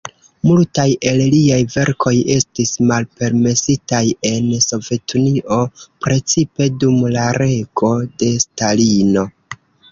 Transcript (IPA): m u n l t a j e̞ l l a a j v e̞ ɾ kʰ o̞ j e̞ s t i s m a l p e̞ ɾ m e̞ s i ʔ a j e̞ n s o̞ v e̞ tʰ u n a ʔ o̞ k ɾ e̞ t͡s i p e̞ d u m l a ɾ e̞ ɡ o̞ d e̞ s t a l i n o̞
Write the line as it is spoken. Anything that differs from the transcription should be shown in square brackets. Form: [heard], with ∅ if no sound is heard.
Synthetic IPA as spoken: m u [∅] l t a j e̞ l l [i] a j v e̞ ɾ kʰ o̞ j e̞ s t i s m a l p e̞ ɾ m e̞ s i [t] a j e̞ n s o̞ v e̞ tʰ u n [i] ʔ o̞ [p] ɾ e̞ t͡s i p e̞ d u m l a ɾ e̞ ɡ o̞ d e̞ s t a l i n o̞